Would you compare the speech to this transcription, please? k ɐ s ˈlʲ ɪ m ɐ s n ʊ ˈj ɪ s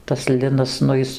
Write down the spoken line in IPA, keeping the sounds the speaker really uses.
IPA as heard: t ɐ s ˈlʲ ɪ n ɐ s n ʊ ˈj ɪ s